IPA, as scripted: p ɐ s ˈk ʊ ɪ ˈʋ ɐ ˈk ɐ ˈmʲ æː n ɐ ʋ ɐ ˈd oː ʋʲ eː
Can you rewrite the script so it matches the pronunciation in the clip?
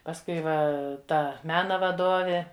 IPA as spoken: p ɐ s ˈk ʊ ɪ ˈʋ ɐ ˈt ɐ ˈmʲ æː n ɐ ʋ ɐ ˈd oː ʋʲ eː